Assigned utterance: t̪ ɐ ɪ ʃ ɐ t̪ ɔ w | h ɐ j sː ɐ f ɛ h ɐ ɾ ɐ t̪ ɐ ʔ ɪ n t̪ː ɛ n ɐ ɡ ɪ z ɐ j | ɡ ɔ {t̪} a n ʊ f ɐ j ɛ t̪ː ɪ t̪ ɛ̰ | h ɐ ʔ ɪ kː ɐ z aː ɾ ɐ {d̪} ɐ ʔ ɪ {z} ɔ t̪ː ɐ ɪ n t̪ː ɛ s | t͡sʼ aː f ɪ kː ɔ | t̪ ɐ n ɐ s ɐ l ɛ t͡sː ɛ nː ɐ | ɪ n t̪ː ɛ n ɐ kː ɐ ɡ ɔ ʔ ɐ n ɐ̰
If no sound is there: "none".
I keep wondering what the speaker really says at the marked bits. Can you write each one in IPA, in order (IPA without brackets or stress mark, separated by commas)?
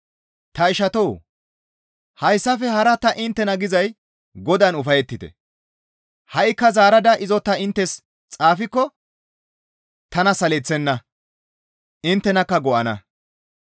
d̪, d̪, z